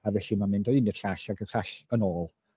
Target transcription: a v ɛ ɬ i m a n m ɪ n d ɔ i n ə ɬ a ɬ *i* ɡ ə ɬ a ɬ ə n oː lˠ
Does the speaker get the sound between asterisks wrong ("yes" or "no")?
yes